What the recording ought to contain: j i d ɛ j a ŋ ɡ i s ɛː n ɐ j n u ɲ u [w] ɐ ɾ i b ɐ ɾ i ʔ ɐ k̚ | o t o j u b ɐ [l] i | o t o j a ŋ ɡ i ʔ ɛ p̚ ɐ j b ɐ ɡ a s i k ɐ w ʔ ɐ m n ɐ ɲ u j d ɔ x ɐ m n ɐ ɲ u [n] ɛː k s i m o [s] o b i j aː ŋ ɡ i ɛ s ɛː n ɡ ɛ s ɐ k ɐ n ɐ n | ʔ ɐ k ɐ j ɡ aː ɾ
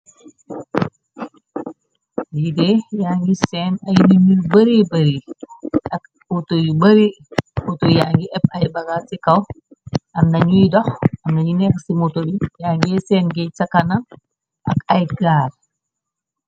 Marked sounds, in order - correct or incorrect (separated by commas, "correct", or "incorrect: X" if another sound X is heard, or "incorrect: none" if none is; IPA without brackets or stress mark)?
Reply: incorrect: b, incorrect: ɾ, correct, incorrect: t